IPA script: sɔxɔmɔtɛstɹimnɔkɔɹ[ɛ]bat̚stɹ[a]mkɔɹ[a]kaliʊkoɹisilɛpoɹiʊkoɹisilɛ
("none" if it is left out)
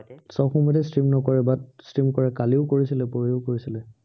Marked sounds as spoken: ɛ, i, ɛ

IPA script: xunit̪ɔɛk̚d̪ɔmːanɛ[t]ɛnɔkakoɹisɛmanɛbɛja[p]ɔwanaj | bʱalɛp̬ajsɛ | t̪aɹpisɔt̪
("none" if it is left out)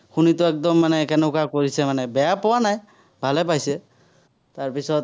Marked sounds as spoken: k, p

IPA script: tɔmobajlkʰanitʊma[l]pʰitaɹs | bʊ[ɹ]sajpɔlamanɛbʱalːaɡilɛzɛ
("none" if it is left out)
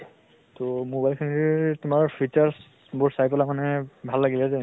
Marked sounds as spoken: ɹ, ɹ

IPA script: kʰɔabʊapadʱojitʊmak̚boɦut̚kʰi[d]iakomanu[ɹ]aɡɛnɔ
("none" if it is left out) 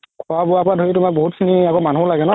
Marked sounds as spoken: n, l

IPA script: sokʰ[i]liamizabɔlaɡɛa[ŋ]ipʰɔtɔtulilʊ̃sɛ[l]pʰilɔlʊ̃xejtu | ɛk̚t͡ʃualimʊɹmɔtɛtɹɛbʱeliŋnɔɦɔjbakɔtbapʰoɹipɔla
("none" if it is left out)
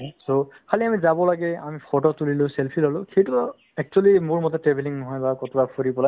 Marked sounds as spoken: a, m, l

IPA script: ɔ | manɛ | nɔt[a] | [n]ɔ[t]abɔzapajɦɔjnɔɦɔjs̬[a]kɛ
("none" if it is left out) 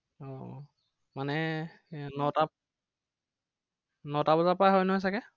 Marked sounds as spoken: a, n, t, a

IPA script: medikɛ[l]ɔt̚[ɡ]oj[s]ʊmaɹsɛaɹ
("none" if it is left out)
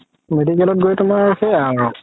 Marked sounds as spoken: l, ɡ, t

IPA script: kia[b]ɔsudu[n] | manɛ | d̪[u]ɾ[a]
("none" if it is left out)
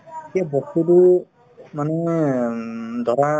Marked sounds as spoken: b, none, ɔ, a

